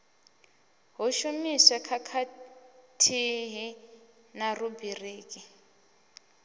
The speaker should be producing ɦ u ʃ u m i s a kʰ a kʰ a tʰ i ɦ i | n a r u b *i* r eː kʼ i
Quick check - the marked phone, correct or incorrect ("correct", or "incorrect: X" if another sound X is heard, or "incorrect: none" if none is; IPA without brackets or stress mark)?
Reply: correct